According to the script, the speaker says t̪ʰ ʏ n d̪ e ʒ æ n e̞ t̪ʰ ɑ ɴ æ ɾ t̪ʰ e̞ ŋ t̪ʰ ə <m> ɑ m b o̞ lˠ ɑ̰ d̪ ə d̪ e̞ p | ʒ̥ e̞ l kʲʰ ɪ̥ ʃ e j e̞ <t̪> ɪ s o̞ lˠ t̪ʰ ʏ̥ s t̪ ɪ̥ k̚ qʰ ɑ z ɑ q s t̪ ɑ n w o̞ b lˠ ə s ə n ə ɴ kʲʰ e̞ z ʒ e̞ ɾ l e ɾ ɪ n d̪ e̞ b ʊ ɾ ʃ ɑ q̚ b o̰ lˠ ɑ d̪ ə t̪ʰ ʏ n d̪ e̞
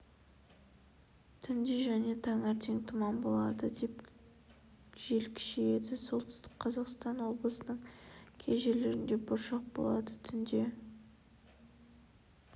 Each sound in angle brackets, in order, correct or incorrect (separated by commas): correct, incorrect